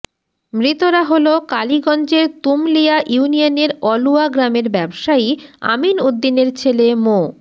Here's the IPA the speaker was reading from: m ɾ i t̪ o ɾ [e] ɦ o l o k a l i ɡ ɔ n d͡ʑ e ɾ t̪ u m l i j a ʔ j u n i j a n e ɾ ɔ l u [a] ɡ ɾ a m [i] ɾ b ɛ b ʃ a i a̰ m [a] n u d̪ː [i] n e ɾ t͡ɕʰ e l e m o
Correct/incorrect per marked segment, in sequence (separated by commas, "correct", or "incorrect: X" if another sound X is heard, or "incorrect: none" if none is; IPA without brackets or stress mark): incorrect: a, correct, incorrect: e, incorrect: i, correct